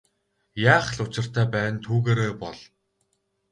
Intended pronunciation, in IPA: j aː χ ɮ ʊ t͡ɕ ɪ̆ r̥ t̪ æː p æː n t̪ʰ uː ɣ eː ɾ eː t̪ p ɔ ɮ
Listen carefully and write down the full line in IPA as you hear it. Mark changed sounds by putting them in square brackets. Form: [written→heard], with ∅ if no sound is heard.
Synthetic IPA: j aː χ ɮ ʊ t͡ɕ ɪ̆ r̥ t̪ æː p æː n t̪ʰ uː ɣ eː ɾ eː [t̪→∅] p ɔ ɮ